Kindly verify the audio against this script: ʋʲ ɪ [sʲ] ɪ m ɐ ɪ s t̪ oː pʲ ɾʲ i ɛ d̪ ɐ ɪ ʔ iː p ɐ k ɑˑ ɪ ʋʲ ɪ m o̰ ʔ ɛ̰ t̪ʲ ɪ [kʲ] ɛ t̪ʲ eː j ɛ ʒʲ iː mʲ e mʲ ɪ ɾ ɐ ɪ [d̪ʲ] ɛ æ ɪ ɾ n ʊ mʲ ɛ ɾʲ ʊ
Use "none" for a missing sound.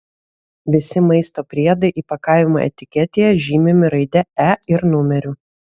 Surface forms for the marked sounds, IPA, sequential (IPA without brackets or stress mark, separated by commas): sʲ, kʲ, d̪ʲ